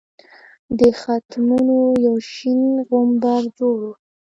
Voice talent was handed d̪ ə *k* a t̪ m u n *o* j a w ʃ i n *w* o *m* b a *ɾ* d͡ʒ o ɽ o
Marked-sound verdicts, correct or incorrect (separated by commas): incorrect, correct, incorrect, correct, correct